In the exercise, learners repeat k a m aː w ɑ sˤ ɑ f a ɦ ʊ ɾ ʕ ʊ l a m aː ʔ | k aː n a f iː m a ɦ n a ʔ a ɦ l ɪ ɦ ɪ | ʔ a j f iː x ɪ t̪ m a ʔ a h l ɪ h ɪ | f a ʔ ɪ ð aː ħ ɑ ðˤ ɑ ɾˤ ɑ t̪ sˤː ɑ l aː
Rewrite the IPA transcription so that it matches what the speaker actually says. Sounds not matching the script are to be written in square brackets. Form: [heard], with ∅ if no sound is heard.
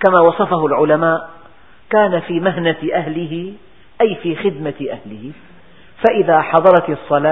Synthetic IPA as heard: k a m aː w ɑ sˤ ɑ f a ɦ ʊ [l] ʕ ʊ l a m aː ʔ | k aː n a f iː m a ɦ n a ʔ a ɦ l ɪ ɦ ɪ | ʔ a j f iː x ɪ [d̪] m a ʔ a h l ɪ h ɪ | f a ʔ ɪ ð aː ħ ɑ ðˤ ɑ ɾˤ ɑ t̪ sˤː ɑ l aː